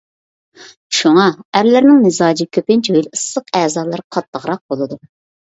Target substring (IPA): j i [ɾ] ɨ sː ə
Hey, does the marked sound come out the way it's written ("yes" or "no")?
no